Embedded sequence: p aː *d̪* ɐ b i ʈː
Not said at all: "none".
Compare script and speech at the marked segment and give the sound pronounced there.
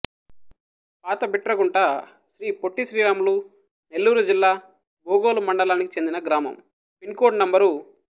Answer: t̪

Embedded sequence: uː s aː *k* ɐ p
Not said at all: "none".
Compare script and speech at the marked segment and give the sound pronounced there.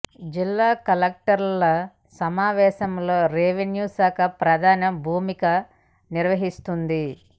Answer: k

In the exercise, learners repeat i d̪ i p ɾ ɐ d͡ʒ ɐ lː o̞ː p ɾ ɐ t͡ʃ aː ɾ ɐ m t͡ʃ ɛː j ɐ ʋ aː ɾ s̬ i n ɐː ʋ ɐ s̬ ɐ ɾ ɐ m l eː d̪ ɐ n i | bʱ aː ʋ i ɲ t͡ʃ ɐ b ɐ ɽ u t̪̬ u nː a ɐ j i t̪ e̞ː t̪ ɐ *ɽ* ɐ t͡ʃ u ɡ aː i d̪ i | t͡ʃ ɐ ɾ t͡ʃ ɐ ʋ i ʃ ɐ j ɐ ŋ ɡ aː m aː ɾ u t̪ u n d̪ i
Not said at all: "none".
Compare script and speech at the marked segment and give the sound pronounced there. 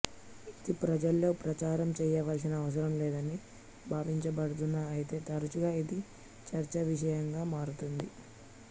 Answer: ɾ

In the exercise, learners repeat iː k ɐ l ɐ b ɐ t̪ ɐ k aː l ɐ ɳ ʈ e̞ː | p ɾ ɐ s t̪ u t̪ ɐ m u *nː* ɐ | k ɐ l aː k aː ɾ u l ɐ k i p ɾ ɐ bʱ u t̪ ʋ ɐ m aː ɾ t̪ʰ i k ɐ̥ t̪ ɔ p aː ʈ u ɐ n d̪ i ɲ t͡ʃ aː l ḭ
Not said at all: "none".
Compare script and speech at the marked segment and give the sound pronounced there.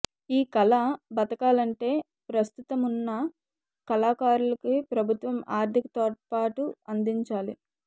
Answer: nː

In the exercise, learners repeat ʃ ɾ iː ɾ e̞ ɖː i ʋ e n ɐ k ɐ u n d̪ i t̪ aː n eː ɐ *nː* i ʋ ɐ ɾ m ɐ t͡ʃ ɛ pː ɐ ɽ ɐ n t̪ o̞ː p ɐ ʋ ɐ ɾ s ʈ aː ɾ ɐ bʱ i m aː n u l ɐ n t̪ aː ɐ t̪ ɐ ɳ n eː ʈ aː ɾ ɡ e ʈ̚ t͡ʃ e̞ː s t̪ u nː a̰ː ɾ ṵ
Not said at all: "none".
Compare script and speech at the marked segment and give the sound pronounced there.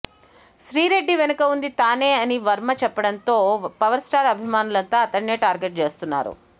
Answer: n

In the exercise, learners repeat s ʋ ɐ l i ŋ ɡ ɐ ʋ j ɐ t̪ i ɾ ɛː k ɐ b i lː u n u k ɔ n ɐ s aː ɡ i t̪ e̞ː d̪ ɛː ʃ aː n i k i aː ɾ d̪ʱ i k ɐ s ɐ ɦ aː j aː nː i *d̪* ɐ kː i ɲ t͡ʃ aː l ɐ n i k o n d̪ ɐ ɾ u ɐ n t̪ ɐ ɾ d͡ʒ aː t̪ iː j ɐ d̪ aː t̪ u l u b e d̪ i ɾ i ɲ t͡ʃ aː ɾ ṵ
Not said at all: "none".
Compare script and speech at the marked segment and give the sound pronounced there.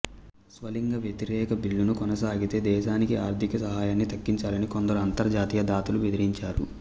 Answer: t̪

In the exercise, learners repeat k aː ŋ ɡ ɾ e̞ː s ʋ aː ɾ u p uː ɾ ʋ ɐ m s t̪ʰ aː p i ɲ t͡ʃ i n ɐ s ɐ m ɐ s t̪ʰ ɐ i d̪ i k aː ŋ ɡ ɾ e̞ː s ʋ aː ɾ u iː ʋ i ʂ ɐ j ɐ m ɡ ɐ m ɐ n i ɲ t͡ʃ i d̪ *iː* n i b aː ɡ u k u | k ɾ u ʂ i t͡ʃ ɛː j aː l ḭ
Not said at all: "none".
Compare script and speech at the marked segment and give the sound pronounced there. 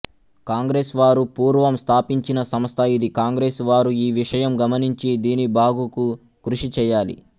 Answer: iː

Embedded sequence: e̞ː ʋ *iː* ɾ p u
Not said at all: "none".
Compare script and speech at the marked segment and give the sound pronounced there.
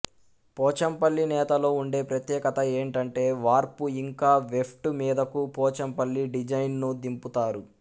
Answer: aː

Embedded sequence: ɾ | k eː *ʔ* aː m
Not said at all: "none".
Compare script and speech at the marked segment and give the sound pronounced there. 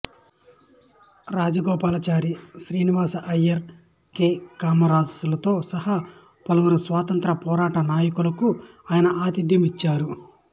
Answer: k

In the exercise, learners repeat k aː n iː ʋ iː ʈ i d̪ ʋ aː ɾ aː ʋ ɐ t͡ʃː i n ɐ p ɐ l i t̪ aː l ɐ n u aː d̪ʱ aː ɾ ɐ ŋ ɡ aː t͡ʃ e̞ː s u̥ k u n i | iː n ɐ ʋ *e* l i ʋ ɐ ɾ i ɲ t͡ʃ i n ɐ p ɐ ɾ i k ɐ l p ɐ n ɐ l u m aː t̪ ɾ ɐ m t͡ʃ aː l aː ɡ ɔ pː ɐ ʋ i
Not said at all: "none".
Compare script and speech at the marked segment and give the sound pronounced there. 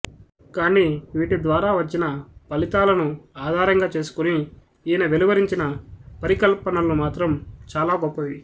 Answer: e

